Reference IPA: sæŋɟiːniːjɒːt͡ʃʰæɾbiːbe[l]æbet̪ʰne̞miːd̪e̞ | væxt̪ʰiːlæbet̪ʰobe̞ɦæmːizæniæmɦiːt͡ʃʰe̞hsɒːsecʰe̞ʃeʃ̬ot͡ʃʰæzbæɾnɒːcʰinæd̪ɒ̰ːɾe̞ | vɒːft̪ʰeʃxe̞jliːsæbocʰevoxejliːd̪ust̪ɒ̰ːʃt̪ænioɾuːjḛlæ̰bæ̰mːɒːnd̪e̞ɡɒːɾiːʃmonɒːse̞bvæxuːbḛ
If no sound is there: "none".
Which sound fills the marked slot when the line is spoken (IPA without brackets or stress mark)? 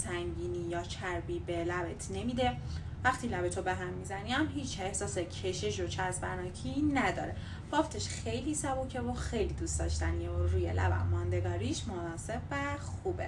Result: l